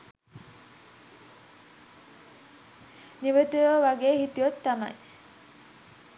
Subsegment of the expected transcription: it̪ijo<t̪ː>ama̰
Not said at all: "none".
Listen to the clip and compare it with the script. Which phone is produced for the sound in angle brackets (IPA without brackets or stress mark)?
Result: t̪ː